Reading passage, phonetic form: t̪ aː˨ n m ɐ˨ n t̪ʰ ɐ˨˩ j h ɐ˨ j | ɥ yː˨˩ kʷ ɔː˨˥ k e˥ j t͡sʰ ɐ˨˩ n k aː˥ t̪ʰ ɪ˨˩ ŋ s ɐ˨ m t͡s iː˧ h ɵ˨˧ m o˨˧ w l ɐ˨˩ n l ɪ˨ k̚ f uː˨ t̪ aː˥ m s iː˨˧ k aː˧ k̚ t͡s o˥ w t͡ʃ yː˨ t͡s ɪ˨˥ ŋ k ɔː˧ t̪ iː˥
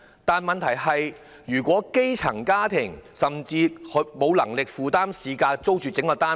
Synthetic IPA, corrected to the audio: t̪ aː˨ n m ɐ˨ n t̪ʰ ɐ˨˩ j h ɐ˨ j | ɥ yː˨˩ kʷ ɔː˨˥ k e˥ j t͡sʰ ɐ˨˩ ŋ k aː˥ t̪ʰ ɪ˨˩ ŋ s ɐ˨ m t͡s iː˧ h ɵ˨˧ m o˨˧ w l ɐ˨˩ ŋ l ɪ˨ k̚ f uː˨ t̪ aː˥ m s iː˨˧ k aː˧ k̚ t͡s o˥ w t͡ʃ yː˨ t͡s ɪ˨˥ ŋ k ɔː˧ t̪ aː˥